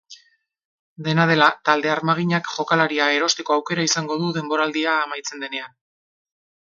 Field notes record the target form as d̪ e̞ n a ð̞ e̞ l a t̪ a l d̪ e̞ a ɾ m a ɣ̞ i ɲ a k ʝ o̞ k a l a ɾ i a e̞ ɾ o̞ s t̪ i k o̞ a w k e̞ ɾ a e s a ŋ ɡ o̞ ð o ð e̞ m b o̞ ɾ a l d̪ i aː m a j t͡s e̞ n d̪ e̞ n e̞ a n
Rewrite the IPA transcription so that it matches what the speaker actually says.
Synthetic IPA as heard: d̪ e̞ n a ð̞ e̞ l a t̪ a l d̪ e̞ a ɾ m a ɣ̞ i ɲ a k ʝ o̞ k a l a ɾ i a e̞ ɾ o̞ s t̪ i k o̞ a w k e̞ ɾ a i s a ŋ ɡ o̞ ð u ð e̞ m b o̞ ɾ a l d̪ i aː m a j t͡s e̞ n d̪ e̞ n e̞ a n

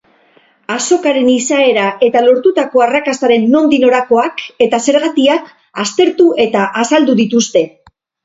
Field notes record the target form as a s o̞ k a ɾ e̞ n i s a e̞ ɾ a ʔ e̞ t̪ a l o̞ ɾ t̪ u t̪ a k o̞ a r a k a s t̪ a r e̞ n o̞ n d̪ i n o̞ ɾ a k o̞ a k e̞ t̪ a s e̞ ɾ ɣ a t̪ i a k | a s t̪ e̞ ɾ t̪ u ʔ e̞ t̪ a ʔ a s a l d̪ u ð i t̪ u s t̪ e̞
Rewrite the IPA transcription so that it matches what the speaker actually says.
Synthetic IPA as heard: a s o̞ k a ɾ e̞ n i s a e̞ ɾ a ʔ e̞ t̪ a l o̞ ɾ t̪ u t̪ a k o̞ a r a k a s t̪ a ɾ e̞ nː o̞ n d̪ i n o̞ ɾ a k o̞ a k e̞ t̪ a s e̞ ɾ ɣ a t̪ i a k | a s t̪ e̞ ɾ t̪ u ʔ e̞ t̪ a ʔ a s a l d̪ u ð i t̪ u s t̪ e̞

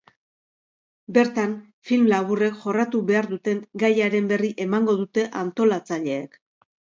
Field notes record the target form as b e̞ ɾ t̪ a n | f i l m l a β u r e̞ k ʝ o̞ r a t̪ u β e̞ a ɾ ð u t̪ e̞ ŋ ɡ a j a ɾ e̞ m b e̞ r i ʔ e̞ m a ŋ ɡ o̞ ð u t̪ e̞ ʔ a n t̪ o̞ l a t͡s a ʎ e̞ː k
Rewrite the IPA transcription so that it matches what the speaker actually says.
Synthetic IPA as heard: b e̞ ɾ t̪ a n | f i l m l a β u r e̞ k ʝ o̞ r a t̪ u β e̞ a ɾ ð u t̪ e̞ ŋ ɡ a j a ɾ e̞ m b e̞ r i ʔ e̞ m a ŋ ɡ o̞ ð u t̪ e̞ ʔ a n t̪ o̞ l a t͡s a ʎ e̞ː k

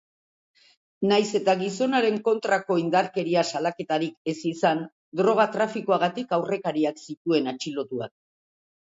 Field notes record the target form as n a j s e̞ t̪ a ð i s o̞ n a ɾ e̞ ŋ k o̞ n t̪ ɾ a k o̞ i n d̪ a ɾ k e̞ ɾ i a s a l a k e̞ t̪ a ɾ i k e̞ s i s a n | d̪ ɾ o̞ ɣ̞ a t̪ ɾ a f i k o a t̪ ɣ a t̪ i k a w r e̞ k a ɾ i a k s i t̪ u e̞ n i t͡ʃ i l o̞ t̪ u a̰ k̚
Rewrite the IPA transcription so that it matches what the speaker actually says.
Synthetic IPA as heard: n a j s e̞ t̪ a ɣ i s o̞ n a ɾ e̞ ŋ k o̞ n t̪ ɾ a k o̞ i n d̪ a ɾ k e̞ ɾ i a s a l a k e̞ t̪ a ɾ i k e̞ s i s a n | d̪ ɾ o̞ ɣ̞ a t̪ ɾ a f i k o a ɣ a t̪ i k a w r e̞ k a ɾ i a k s i t̪ u e̞ n a t͡ʃ i l o̞ t̪ u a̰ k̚

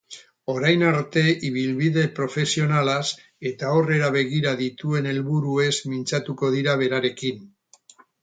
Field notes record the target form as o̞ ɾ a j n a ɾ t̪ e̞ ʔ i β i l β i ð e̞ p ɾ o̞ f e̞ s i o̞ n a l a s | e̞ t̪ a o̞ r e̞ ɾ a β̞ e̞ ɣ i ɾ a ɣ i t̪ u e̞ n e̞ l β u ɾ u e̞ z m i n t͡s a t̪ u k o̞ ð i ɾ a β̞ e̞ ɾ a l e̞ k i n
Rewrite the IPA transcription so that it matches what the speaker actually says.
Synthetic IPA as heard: o̞ ɾ a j n a ɾ t̪ e̞ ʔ i β i l β i ð e̞ p ɾ o̞ f e̞ s i o̞ n a l a s | e̞ t̪ a o̞ r e̞ ɾ a β̞ e̞ ɣ i ɾ a ð i t̪ u e̞ n e̞ l β u ɾ u e̞ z m i n t͡s a t̪ u k o̞ ð i ɾ a β̞ e̞ ɾ a ɾ e̞ k i n

